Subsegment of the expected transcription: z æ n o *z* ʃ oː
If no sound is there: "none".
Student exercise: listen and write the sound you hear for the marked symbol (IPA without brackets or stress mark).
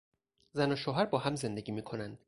none